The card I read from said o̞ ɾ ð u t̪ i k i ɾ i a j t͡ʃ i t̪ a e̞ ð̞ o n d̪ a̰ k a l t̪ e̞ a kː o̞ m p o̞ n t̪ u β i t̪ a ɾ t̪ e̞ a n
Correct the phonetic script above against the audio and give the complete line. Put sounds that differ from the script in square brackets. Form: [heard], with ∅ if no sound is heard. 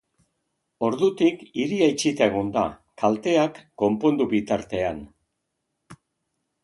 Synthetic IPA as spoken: o̞ ɾ ð u t̪ i k i ɾ i a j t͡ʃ i t̪ a e̞ [ɣ̞] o n d̪ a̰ k a l t̪ e̞ a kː o̞ m p o̞ n [d̪] u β i t̪ a ɾ t̪ e̞ a n